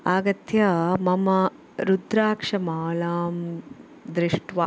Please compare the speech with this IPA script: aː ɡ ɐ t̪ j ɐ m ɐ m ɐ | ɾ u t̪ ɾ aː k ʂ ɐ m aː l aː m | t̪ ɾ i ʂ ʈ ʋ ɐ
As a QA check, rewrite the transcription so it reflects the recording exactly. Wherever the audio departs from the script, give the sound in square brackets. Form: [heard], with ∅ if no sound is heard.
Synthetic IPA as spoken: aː ɡ ɐ t̪ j ɐ m ɐ m ɐ | ɾ u [d̪] ɾ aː k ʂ ɐ m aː l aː m | [d̪] ɾ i ʂ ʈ ʋ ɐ